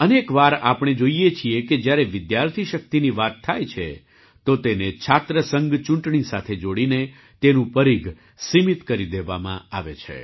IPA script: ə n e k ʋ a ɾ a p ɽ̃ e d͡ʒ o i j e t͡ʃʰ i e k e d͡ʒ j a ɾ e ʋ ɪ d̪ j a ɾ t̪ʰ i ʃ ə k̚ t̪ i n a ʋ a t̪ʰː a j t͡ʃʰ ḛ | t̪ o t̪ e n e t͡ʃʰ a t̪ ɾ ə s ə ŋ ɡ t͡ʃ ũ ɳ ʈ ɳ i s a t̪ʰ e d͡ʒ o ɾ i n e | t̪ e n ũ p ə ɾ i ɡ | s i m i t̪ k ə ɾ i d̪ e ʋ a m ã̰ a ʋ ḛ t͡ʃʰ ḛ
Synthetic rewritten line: ə n e k ʋ a ɾ a p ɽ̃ e d͡ʒ o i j e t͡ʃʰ i e k e d͡ʒ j a ɾ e ʋ ɪ d̪ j a ɾ t̪ʰ i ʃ ə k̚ t̪ i n i ʋ a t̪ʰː a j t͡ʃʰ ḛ | t̪ o t̪ e n e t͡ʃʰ a t̪ ɾ ə s ə ŋ ɡ t͡ʃ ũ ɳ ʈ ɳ i s a t̪ʰ e d͡ʒ o ɽ i n e | t̪ e n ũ p ə ɾ i ɡ | s i m i t̪ k ə ɾ i d̪ e ʋ a m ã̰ a ʋ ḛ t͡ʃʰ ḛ